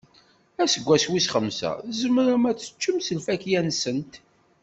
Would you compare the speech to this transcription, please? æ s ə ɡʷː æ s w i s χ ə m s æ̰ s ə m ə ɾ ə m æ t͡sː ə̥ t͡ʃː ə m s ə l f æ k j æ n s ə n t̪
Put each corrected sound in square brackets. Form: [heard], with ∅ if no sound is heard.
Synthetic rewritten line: æ s ə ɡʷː æ s w i s χ ə m s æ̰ [z] ə m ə ɾ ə m æ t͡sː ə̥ t͡ʃː ə m s ə l f æ k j æ n s ə n t̪